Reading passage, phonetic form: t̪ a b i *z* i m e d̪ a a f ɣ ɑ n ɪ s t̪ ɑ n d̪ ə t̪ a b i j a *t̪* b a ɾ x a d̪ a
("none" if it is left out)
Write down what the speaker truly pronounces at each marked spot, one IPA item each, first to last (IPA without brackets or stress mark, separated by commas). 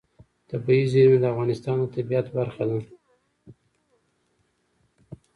z, t̪